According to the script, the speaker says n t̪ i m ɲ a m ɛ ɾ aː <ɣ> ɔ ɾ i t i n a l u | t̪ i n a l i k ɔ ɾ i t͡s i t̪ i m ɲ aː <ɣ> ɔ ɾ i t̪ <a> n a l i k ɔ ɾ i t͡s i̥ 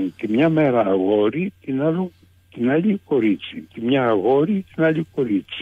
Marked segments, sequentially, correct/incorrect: correct, correct, incorrect

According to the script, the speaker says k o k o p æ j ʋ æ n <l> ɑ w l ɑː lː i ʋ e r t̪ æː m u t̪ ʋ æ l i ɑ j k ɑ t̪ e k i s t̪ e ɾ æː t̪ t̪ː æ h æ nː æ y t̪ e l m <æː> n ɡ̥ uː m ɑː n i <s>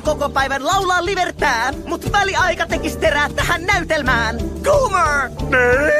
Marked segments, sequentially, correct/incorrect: correct, correct, incorrect

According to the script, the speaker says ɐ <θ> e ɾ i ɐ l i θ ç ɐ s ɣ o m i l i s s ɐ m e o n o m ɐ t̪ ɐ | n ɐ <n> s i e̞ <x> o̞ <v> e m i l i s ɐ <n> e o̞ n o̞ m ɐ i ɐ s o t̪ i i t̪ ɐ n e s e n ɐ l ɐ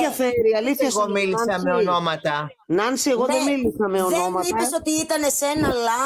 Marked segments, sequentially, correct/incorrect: incorrect, correct, incorrect, incorrect, incorrect

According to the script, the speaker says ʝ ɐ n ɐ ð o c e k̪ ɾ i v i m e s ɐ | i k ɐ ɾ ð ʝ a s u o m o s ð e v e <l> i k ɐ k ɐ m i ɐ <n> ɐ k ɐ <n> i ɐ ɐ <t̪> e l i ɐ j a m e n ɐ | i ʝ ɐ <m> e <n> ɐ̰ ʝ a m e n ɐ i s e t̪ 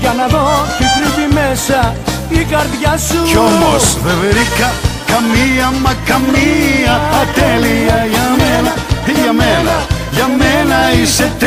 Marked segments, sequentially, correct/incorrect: incorrect, incorrect, incorrect, correct, correct, correct

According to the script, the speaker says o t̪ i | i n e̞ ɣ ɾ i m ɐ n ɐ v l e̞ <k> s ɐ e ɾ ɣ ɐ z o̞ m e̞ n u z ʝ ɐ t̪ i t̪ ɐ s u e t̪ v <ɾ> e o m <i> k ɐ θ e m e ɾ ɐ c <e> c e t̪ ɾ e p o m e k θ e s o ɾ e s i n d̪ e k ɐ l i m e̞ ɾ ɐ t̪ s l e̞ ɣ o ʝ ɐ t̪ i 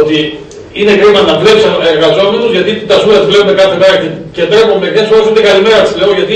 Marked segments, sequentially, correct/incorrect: incorrect, incorrect, incorrect, correct

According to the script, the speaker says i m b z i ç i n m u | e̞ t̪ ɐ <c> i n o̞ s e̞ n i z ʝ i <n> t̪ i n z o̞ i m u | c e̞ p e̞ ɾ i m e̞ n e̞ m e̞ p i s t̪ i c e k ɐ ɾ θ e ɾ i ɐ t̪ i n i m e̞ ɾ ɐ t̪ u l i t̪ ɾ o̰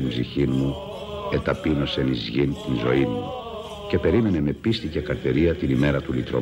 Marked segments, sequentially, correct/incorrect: incorrect, correct

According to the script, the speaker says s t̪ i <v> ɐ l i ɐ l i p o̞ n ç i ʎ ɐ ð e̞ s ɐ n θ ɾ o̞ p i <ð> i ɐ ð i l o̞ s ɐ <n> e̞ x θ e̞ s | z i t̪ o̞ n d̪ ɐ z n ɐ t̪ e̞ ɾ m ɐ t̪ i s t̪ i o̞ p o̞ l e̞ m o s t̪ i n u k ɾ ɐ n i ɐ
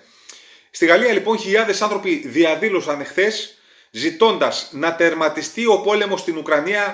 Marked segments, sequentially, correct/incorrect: incorrect, correct, correct

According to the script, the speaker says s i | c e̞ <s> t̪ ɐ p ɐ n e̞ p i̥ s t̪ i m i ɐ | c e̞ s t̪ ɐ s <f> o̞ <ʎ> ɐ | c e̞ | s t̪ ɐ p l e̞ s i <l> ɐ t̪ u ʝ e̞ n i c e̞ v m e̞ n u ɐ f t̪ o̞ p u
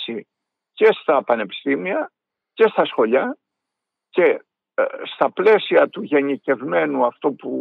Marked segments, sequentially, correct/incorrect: correct, incorrect, correct, incorrect

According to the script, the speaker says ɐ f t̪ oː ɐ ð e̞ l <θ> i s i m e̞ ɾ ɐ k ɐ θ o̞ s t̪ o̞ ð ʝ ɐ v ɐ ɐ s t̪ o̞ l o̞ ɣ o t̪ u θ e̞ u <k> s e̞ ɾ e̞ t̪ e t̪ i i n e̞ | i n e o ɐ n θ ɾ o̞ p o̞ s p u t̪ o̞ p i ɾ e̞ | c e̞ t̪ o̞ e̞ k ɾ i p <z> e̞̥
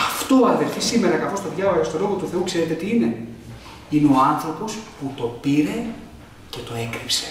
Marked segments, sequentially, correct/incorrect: incorrect, correct, incorrect

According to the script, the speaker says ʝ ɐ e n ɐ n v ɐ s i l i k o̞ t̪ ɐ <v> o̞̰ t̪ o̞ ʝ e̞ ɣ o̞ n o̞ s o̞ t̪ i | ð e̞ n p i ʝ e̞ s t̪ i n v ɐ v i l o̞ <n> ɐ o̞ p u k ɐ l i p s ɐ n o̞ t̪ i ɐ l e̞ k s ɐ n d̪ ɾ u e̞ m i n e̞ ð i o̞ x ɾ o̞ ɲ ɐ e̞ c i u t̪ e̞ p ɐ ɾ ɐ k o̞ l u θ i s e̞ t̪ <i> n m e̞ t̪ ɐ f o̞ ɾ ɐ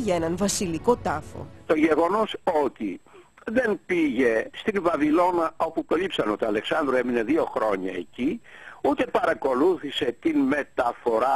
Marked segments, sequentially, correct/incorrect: incorrect, correct, correct

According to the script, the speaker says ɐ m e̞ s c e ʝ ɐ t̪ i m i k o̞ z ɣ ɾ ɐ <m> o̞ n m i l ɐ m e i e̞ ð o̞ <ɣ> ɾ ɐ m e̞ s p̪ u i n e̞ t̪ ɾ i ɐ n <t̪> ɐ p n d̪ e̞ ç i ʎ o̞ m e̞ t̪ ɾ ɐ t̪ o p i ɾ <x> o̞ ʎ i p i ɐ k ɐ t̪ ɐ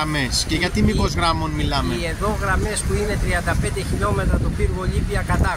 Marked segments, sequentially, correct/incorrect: correct, correct, incorrect, incorrect

